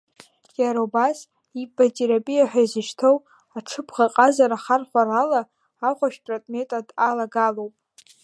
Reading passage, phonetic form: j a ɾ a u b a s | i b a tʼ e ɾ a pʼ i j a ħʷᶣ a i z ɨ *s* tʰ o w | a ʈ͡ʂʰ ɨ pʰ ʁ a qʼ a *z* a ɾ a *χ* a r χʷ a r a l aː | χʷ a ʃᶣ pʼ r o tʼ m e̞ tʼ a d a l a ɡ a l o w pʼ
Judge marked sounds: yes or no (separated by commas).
no, yes, yes